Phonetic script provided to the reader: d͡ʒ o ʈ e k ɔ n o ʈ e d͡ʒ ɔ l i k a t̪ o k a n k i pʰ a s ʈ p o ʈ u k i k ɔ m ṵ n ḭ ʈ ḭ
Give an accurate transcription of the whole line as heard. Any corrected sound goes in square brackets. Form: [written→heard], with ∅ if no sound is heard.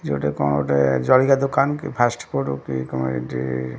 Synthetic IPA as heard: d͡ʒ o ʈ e k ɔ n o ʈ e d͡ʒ ɔ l i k a [t̪→d̪] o k a n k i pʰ a s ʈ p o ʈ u k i k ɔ m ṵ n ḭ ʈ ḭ